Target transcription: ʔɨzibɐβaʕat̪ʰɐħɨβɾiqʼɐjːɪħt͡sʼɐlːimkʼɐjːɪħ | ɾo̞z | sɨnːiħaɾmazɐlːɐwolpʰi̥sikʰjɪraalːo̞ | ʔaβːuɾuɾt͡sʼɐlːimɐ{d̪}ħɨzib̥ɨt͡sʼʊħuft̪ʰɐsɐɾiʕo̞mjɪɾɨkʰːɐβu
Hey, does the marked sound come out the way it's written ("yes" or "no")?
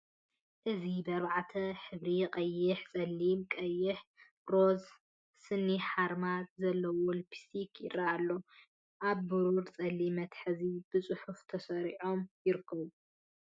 no